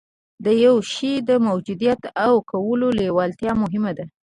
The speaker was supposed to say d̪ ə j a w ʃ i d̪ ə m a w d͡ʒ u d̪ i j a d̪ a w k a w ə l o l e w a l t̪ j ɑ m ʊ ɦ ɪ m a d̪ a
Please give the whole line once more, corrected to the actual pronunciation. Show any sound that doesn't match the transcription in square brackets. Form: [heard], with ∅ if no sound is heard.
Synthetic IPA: d̪ ə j a w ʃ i d̪ ə m a w d͡ʒ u d̪ i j a [t̪] a w k a w ə l o l e w [ɑ] l t̪ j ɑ m ʊ ɦ ɪ m a d̪ a